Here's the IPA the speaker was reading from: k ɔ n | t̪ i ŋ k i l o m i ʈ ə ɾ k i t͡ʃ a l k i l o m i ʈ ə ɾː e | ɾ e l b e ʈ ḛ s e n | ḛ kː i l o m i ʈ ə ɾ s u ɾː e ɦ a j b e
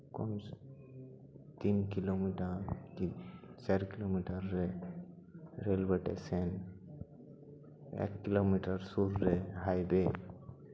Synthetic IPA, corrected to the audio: k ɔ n | t̪ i n k i l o m i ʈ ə ɾ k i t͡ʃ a ɾ k i l o m i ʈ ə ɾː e | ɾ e l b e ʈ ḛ s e n | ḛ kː i l o m i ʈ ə ɾ s u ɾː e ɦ a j b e

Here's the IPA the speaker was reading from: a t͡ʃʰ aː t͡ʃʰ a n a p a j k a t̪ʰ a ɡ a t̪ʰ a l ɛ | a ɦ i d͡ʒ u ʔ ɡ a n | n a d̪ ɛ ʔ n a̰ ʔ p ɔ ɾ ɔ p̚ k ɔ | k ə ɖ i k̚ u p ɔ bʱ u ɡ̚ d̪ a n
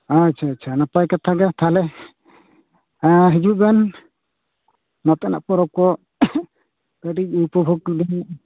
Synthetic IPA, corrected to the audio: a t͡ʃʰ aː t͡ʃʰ a n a p a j k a t̪ʰ a ɡ a t̪ʰ a l ɛ | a ɦ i d͡ʒ u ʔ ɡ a n | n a t̪ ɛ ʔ n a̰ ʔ p ɔ ɾ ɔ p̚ k ɔ | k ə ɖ i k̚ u p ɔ bʱ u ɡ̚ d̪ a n

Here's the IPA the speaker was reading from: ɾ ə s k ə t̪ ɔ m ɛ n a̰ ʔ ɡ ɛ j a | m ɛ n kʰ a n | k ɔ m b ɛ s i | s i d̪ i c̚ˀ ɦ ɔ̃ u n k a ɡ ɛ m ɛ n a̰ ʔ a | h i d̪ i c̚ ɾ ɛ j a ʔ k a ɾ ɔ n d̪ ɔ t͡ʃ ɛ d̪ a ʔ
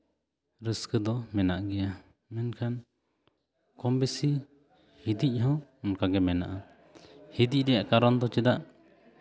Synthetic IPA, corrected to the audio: ɾ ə s k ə d̪ ɔ m ɛ n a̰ ʔ ɡ ɛ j a | m ɛ n kʰ a n | k ɔ m b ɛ s i | h i d̪ i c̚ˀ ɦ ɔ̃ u n k a ɡ ɛ m ɛ n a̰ ʔ a | h i d̪ i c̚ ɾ ɛ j a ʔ k a ɾ ɔ n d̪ ɔ t͡ʃ ɛ d̪ a ʔ

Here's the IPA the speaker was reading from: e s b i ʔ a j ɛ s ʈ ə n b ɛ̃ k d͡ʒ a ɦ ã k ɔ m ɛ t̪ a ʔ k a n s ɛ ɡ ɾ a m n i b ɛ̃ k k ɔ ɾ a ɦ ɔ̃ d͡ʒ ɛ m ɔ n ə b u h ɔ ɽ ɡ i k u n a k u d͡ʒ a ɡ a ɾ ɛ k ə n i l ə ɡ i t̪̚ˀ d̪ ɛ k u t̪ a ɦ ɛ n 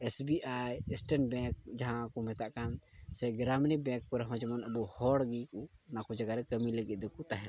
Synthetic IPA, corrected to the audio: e s b i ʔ a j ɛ s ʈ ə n b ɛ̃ k d͡ʒ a ɦ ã k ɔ m ɛ t̪ a ʔ k a n s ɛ ɡ ɾ a m n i b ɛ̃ k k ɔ ɾ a ɦ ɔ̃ d͡ʒ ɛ m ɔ n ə b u h ɔ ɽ ɡ i k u n a k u d͡ʒ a ɡ a ɾ ɛ k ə m i l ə ɡ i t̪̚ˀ d̪ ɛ k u t̪ a ɦ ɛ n

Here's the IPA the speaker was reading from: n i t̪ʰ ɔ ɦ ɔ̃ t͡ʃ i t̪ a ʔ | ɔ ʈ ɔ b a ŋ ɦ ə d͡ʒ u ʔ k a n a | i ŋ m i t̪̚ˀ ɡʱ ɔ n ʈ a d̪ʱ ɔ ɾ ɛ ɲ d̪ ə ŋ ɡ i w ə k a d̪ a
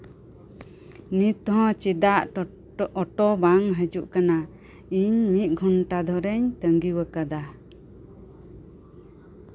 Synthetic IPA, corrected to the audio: n i t̪ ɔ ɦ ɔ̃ t͡ʃ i d̪ a ʔ | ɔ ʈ ɔ b a ŋ ɦ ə d͡ʒ u ʔ k a n a | i ɲ m i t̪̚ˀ ɡʱ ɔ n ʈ a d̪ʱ ɔ ɾ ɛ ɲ t̪ ə ŋ ɡ i w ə k a d̪ a

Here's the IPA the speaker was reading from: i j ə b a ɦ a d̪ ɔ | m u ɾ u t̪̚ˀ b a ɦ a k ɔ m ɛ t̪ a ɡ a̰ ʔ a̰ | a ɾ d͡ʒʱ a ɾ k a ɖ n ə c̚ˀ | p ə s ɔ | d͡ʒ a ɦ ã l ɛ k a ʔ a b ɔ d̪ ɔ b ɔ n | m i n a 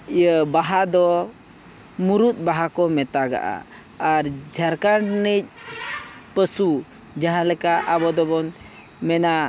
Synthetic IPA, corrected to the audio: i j ə b a ɦ a d̪ ɔ | m u ɾ u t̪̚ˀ b a ɦ a k ɔ m ɛ t̪ a ɡ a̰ ʔ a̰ | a ɾ d͡ʒʱ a ɾ k a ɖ n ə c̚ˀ | p ə s u | d͡ʒ a ɦ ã l ɛ k a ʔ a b ɔ d̪ ɔ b ɔ n | m ɛ n a

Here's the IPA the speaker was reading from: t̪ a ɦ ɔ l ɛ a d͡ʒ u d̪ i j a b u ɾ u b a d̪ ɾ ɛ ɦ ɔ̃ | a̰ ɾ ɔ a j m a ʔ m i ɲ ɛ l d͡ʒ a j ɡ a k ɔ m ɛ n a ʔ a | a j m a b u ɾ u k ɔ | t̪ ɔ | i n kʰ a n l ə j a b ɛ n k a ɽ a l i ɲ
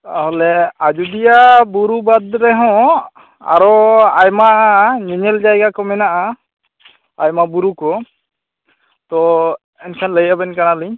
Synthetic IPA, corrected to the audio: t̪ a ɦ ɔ l ɛ a d͡ʒ u d̪ i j a b u ɾ u b a d̪ ɾ ɛ ɦ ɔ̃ | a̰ ɾ ɔ a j m a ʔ ɲ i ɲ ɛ l d͡ʒ a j ɡ a k ɔ m ɛ n a ʔ a | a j m a b u ɾ u k ɔ | t̪ ɔ | ɛ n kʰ a n l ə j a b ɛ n k a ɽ a l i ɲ

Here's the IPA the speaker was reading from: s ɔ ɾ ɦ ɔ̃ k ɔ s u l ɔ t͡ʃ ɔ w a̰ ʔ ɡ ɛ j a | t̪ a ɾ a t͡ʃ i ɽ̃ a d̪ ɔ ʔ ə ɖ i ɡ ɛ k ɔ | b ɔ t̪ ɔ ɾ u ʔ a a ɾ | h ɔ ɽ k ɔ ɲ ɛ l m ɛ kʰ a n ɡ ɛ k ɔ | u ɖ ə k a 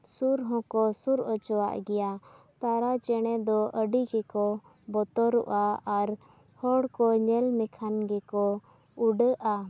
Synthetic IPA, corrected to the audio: s u ɾ ɦ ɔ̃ k ɔ s u ɾ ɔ t͡ʃ ɔ w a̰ ʔ ɡ ɛ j a | t̪ a ɾ a t͡ʃ ɛ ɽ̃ ɛ d̪ ɔ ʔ ə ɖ i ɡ ɛ k ɔ | b ɔ t̪ ɔ ɾ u ʔ a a ɾ | h ɔ ɽ k ɔ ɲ ɛ l m ɛ kʰ a n ɡ ɛ k ɔ | u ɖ ə ʔ a

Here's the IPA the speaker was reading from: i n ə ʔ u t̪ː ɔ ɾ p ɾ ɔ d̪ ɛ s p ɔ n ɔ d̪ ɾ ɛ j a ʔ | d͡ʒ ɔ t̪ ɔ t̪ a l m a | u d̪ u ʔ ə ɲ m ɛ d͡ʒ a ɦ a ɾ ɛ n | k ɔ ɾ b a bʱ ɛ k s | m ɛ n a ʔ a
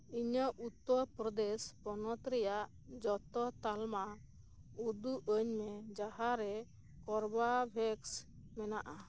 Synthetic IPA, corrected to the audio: i ɲ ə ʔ u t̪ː ɔ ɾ p ɾ ɔ d̪ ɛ s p ɔ n ɔ t̪ ɾ ɛ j a ʔ | d͡ʒ ɔ t̪ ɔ t̪ a l m a | u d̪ u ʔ ə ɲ m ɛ d͡ʒ a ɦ a ɾ ɛ | k ɔ ɾ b a bʱ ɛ k s | m ɛ n a ʔ a

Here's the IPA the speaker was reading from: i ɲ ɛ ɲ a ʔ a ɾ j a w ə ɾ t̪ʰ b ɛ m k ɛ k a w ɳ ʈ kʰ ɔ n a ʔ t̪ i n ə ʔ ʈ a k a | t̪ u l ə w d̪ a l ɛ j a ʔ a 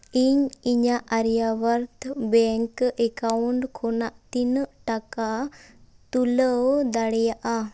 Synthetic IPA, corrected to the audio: i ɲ i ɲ a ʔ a ɾ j a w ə ɾ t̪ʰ b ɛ ŋ k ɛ k a w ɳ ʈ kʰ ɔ n a ʔ t̪ i n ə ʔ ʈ a k a | t̪ u l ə w d̪ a ɽ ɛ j a ʔ a

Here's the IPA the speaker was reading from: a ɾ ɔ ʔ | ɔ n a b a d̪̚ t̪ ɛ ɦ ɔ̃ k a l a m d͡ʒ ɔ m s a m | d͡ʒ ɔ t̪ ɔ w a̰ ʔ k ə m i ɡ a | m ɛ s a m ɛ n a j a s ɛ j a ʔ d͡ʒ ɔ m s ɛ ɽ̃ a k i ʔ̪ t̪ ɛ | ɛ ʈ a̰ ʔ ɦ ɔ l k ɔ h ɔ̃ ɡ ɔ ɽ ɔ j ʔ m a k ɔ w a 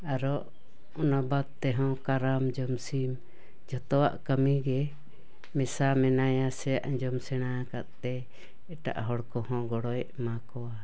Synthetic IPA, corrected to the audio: a ɾ ɔ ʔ | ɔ n a b a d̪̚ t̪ ɛ ɦ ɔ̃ k a ɾ a m d͡ʒ ɔ m s i m | d͡ʒ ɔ t̪ ɔ w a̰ ʔ k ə m i ɡ ɛ | m ɛ s a m ɛ n a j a s ɛ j a ʔ d͡ʒ ɔ m s ɛ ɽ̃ a k a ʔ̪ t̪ ɛ | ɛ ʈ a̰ ʔ ɦ ɔ ɽ k ɔ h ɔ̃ ɡ ɔ ɽ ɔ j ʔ m a k ɔ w a

